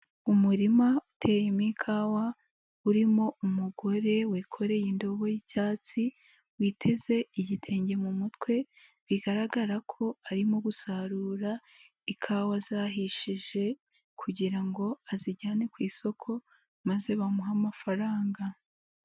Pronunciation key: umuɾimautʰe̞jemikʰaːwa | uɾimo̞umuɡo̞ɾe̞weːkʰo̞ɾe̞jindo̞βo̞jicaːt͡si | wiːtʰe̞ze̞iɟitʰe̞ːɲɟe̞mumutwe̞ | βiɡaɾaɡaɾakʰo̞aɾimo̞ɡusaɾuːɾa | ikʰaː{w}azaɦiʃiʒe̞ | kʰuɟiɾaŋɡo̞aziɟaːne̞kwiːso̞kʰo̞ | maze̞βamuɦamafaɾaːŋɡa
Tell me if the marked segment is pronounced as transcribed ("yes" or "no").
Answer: yes